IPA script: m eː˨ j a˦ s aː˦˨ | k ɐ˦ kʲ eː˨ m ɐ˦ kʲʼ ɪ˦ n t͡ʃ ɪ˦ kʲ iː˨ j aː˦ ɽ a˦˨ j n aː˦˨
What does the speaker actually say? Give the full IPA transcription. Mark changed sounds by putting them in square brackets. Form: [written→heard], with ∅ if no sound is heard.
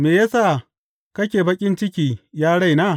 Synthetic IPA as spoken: m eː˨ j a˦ s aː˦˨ | k ɐ˦ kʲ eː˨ [m→b] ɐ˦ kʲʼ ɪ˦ n t͡ʃ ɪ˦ kʲ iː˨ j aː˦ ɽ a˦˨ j n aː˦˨